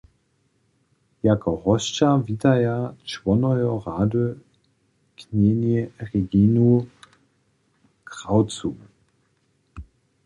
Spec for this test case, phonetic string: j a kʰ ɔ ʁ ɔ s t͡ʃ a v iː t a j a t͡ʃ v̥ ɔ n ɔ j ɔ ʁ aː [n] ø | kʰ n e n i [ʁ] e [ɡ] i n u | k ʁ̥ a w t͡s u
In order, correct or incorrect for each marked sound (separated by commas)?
incorrect, correct, correct